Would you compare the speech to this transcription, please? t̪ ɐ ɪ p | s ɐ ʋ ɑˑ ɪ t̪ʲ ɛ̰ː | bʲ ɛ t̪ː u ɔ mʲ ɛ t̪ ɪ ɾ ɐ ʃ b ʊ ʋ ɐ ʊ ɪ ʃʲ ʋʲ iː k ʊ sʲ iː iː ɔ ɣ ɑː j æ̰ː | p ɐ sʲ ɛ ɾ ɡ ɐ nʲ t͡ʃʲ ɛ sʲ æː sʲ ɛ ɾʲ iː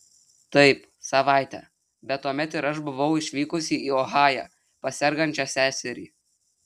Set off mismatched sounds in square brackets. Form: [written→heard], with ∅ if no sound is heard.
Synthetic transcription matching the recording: t̪ ɐ ɪ p | s ɐ ʋ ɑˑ ɪ t̪ʲ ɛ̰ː | bʲ ɛ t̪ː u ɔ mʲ ɛ t̪ ɪ ɾ ɐ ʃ b ʊ ʋ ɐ ʊ ɪ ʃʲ ʋʲ iː k ʊ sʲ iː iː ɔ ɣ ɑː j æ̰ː | p ɐ sʲ ɛ ɾ ɡ ɐ nʲ t͡ʃʲ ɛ sʲ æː sʲ ɛ ɾʲ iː